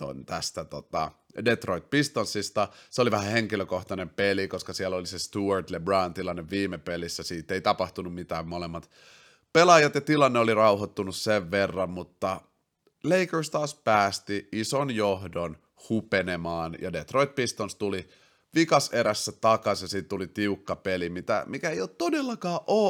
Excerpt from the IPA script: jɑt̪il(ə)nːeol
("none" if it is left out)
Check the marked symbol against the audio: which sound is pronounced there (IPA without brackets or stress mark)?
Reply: ɑ